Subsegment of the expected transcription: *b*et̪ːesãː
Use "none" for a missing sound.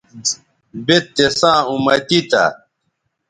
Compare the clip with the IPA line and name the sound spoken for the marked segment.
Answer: b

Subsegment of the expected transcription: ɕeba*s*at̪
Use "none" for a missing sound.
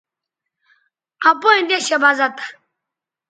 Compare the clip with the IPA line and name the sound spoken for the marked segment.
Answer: z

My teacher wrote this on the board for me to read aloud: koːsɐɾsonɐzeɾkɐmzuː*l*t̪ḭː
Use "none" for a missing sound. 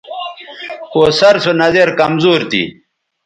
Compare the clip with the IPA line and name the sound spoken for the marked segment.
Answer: ɾ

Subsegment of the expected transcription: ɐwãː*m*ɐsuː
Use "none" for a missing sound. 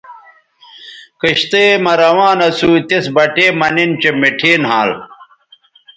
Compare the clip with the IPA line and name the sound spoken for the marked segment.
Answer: n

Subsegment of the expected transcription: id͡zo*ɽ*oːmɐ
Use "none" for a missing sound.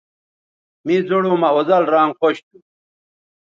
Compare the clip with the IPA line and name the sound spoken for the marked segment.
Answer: ɽ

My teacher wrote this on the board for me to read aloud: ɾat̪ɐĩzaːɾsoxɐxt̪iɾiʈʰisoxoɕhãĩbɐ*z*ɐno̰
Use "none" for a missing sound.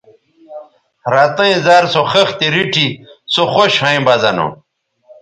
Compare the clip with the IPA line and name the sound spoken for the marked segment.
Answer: z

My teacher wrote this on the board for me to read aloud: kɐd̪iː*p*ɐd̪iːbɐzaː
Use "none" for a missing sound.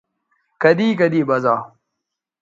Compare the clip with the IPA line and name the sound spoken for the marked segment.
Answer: k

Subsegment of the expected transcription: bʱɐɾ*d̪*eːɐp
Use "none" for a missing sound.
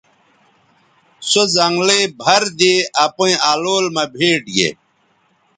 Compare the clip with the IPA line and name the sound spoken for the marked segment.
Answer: d̪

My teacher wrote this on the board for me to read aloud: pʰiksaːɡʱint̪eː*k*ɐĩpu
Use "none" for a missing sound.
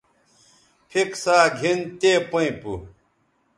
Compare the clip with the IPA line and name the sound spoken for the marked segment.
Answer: p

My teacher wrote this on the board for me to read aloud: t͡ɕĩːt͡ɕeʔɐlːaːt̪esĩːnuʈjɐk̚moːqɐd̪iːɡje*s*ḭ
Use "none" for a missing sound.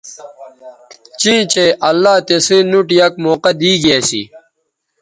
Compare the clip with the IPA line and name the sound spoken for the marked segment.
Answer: s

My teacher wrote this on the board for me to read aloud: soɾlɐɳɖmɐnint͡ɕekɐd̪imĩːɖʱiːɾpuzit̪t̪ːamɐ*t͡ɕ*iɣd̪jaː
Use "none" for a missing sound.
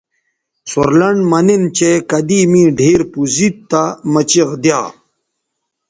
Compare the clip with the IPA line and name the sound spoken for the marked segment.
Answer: t͡ɕ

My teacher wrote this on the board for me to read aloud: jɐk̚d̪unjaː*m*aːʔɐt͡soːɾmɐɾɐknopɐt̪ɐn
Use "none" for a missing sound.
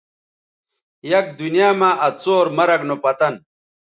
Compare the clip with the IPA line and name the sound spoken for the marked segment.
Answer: m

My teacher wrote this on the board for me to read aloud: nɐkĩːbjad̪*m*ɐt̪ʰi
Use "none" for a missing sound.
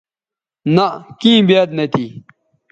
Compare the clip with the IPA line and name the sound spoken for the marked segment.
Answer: n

